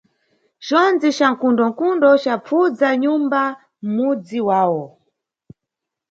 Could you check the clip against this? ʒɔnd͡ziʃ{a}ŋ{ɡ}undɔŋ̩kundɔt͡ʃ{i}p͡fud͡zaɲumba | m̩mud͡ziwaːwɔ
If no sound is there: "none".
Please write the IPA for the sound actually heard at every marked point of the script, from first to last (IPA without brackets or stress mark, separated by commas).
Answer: a, k, a